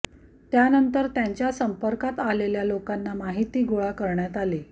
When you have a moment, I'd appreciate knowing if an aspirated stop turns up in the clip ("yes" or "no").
no